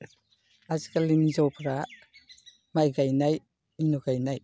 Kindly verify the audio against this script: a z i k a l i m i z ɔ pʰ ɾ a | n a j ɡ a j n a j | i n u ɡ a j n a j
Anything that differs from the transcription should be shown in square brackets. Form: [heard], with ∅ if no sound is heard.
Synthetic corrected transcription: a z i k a l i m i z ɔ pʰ ɾ a | [m] a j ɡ a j n a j | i n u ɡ a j n a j